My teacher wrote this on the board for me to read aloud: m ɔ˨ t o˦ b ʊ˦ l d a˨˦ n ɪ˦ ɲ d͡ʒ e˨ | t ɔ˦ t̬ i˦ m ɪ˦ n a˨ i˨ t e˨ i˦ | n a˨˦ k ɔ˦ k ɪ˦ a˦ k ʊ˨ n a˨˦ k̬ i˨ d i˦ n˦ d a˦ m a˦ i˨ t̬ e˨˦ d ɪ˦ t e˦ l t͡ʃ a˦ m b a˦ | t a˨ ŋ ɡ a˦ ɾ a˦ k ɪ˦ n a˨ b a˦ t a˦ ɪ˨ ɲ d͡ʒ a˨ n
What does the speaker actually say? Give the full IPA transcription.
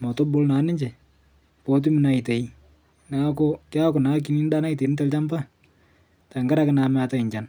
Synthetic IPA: m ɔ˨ t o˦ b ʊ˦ l n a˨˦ n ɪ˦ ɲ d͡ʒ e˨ | p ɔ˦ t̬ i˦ m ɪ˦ n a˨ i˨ t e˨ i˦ | n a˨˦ k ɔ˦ k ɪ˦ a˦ k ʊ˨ n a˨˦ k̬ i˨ n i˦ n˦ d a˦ n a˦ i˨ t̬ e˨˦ n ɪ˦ t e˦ l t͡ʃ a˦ m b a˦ | t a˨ ŋ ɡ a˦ ɾ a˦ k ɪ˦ n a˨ m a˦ t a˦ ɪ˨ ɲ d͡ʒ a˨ n